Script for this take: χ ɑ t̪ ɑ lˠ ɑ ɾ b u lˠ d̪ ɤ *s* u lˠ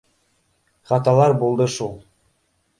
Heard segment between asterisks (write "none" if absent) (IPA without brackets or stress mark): ʃ